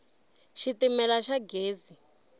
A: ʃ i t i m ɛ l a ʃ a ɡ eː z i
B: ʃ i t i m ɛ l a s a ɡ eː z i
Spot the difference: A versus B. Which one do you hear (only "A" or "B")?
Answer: A